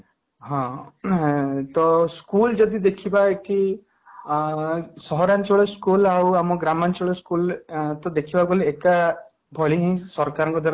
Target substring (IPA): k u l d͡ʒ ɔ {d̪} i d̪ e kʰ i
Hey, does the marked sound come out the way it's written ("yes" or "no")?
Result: yes